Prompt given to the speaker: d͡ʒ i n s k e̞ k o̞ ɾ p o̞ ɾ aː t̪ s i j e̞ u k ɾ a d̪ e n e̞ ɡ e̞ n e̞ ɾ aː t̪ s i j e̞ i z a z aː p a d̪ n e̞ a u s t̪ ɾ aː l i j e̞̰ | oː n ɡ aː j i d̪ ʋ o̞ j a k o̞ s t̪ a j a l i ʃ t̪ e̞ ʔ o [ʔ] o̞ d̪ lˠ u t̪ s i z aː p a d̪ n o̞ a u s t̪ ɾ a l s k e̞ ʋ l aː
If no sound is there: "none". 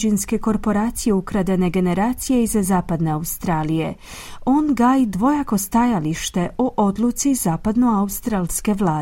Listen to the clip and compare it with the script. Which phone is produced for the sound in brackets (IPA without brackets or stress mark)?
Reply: ʔ